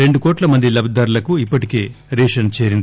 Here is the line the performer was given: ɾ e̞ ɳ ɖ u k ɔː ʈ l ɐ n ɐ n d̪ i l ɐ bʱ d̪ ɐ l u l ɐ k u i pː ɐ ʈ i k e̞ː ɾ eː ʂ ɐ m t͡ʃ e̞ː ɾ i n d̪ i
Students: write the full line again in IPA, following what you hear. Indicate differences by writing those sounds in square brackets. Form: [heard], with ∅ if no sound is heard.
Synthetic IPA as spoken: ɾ e̞ ɳ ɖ u k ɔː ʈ l ɐ [m] ɐ n d̪ i l ɐ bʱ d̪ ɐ [ɾ] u l ɐ k u i pː ɐ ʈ i k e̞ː ɾ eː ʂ ɐ [n] t͡ʃ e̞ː ɾ i n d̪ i